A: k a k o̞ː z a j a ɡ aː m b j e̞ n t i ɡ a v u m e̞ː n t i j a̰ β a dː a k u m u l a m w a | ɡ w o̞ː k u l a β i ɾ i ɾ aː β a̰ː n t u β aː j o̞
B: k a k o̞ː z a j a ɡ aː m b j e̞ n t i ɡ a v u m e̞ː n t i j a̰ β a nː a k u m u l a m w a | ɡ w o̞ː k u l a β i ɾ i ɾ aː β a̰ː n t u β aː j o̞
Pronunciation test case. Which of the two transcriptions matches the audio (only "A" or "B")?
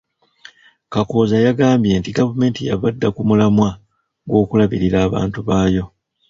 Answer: A